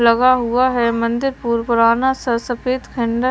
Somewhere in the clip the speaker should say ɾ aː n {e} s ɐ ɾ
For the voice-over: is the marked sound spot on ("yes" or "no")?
no